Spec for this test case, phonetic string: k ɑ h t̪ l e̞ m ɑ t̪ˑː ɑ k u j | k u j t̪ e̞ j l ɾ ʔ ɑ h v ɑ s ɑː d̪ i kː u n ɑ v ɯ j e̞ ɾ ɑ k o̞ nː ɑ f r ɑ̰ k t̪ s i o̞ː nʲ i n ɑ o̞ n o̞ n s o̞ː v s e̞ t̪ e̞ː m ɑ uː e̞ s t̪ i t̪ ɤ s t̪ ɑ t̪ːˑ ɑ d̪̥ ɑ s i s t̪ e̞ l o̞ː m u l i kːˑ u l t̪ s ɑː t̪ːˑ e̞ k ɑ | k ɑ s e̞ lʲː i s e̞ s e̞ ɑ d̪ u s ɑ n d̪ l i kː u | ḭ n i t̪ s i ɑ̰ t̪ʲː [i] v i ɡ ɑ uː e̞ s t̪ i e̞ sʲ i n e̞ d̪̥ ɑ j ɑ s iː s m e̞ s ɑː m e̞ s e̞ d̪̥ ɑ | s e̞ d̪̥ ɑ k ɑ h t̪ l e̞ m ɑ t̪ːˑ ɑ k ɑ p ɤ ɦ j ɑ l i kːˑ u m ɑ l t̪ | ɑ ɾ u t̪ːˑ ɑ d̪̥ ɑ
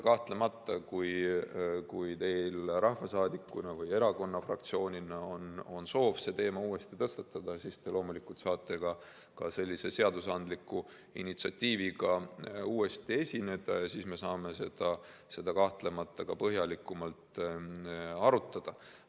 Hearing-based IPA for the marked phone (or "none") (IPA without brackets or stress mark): iː